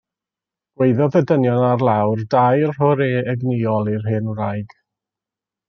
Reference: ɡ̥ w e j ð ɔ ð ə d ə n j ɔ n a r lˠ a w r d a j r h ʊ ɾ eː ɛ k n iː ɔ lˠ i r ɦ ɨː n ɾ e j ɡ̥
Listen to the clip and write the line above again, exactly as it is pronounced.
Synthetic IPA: ɡ̥ w e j ð ɔ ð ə d ə n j ɔ n a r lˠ a w r d a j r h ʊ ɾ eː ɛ ɡ n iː ɔ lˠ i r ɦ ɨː n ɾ a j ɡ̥

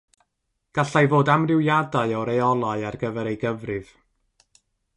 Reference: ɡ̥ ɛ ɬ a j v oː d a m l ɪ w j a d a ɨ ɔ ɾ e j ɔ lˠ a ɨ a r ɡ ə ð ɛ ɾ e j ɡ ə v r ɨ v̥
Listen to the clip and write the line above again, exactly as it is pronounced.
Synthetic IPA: ɡ̥ a ɬ a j v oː d a m r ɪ w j a d a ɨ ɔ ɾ e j ɔ lˠ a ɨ a r ɡ ə v ɛ ɾ e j ɡ ə v r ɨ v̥

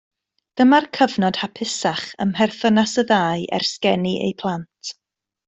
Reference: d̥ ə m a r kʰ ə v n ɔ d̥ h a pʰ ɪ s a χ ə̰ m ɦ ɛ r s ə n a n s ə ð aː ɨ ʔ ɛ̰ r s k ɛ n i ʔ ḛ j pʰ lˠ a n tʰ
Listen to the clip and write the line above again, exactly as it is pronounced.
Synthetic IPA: d̥ ə m a r kʰ ə v n ɔ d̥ h a pʰ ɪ s a χ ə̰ m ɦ ɛ r θ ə n a s ə ð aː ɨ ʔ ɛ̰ r s k ɛ n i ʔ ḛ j pʰ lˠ a n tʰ

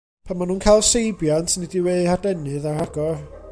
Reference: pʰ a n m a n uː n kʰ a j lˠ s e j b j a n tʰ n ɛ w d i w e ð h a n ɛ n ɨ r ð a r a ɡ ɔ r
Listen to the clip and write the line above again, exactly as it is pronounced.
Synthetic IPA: pʰ a n m a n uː n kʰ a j lˠ s e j b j a n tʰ n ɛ d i w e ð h a d ɛ n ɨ ð a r a ɡ ɔ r

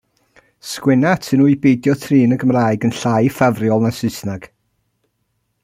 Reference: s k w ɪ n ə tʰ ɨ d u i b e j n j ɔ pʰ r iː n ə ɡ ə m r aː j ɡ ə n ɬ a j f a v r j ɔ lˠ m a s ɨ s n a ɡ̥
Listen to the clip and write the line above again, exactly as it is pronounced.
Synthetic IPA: s k w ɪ n a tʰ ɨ n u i b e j d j ɔ tʰ r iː n ə ɡ ə m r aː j ɡ ə n ɬ a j f a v r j ɔ lˠ n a s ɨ s n a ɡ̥

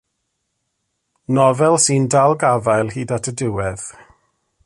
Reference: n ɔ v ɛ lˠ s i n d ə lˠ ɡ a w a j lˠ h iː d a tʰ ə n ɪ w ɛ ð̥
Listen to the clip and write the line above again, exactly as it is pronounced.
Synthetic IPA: n ɔ v ɛ lˠ s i n d a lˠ ɡ a v a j lˠ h iː d a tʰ ə d ɪ w ɛ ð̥

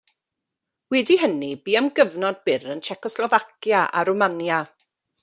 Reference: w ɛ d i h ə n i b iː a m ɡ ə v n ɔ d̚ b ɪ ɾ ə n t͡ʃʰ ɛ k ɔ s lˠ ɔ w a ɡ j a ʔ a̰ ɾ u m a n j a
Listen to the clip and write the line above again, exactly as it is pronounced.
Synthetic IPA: w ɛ d i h ə n i b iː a m ɡ ə v n ɔ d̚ b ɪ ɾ ə n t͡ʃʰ ɛ k ɔ s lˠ ɔ v a k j a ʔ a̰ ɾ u m a n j a

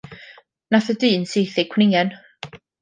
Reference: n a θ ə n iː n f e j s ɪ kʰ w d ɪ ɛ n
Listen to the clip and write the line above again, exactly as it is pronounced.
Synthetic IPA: n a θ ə d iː n s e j θ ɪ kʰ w n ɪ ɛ n

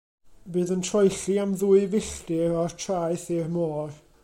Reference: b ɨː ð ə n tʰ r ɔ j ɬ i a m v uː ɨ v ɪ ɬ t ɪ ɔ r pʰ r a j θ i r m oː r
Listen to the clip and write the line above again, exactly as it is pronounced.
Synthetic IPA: b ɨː ð ə n tʰ r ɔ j ɬ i a m ð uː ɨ v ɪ ɬ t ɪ ɔ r tʰ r a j θ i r m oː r

